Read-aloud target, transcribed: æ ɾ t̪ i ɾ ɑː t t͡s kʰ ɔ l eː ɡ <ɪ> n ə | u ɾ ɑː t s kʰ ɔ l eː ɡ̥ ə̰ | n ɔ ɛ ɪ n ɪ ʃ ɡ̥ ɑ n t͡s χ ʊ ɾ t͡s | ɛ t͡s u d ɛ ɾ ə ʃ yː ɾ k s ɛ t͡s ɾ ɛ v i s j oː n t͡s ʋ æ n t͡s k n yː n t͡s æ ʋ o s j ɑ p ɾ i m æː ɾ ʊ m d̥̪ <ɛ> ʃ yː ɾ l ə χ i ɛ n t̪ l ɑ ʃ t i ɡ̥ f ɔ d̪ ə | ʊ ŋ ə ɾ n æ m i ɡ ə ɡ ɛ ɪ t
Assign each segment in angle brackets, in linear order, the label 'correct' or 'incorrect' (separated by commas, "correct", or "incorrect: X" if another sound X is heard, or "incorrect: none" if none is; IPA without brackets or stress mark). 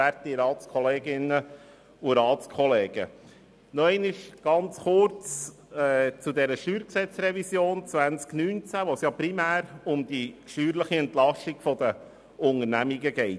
correct, incorrect: i